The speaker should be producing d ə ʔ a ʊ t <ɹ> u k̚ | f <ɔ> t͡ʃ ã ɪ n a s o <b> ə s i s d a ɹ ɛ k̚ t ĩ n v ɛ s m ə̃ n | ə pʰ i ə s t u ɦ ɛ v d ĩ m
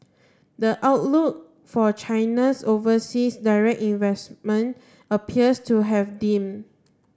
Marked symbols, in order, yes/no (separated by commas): no, yes, no